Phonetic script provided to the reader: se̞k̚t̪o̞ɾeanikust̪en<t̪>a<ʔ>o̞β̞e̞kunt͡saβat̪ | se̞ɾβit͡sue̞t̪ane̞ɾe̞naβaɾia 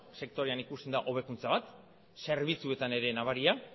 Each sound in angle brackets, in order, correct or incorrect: incorrect, correct

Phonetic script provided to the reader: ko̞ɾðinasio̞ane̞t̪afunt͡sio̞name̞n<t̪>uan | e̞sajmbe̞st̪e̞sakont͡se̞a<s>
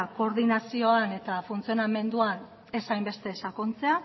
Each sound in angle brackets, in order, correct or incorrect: incorrect, incorrect

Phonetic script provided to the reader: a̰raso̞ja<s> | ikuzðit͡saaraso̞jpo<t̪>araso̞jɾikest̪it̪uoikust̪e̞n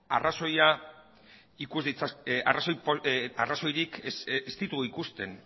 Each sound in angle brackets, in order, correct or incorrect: incorrect, incorrect

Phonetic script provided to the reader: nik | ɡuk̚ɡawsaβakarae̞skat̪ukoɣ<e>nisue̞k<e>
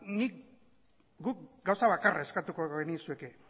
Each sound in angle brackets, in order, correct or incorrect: correct, correct

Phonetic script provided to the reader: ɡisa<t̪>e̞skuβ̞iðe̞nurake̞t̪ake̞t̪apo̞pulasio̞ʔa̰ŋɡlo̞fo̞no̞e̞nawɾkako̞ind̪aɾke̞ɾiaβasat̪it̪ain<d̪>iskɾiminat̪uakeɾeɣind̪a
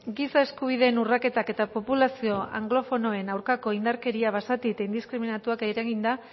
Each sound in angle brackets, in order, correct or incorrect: incorrect, correct

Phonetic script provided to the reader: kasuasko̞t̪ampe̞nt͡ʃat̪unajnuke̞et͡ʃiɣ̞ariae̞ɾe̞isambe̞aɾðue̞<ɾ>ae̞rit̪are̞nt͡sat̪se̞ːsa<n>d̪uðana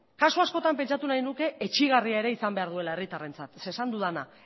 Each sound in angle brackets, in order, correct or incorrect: incorrect, correct

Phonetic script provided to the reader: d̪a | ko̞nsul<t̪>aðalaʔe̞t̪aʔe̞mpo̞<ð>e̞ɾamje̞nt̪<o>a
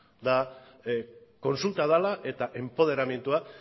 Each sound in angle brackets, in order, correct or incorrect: correct, correct, incorrect

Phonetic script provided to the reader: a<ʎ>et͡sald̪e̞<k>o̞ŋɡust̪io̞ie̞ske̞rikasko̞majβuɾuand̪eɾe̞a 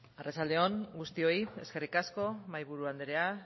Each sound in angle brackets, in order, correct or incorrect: incorrect, incorrect

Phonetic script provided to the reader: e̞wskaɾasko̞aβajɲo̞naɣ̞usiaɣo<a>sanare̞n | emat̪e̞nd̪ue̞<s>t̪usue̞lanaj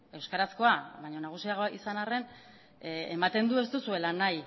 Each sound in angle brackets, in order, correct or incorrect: incorrect, correct

